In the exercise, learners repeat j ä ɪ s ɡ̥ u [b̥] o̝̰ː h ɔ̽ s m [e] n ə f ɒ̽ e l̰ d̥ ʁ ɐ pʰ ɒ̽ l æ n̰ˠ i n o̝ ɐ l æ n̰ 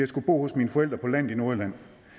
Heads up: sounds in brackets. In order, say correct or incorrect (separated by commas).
correct, incorrect